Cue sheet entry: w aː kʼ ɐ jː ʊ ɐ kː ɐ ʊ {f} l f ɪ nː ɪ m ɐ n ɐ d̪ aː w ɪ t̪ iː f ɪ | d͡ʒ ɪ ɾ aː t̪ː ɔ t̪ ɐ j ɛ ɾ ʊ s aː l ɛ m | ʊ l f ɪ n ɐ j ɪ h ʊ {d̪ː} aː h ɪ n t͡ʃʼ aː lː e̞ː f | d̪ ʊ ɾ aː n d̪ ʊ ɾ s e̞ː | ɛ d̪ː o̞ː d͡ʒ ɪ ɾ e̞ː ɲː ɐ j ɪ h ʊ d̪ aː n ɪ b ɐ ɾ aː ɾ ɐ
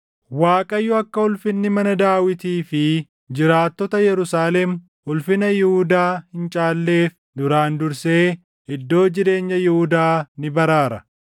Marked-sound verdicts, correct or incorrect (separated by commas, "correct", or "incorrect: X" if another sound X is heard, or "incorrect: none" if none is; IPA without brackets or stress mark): incorrect: none, incorrect: d̪